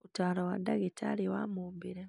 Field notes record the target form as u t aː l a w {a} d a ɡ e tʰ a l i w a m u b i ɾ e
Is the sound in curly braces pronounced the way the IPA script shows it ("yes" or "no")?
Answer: yes